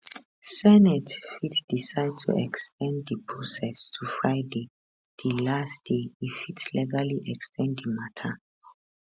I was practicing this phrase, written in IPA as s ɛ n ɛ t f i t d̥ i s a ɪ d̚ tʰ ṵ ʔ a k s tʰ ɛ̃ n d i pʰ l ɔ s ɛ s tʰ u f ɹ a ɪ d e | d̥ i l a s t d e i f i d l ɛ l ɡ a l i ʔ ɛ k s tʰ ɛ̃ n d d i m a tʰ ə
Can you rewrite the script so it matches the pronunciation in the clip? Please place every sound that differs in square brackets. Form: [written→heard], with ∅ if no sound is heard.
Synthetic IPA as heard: s ɛ n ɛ t f i t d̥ i s a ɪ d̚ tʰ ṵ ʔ [a→ɛ] k s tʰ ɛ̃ n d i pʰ [l→ɹ] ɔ s ɛ s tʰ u f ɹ a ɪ d e | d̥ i l a s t d e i f i [d→t] l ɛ [l→∅] ɡ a l i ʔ ɛ k s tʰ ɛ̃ n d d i m a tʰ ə